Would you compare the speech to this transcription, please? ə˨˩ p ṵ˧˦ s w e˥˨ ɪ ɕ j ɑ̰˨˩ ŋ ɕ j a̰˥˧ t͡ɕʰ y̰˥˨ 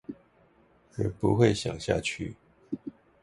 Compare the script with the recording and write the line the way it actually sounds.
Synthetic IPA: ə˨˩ p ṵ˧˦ x w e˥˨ ɪ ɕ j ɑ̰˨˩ ŋ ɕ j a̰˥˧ t͡ɕʰ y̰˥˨